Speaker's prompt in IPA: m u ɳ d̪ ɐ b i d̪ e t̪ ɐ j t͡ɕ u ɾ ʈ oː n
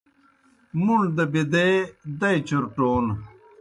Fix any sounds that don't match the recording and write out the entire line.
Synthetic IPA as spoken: m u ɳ d̪ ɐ b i d̪ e d̪ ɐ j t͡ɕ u ɾ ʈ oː n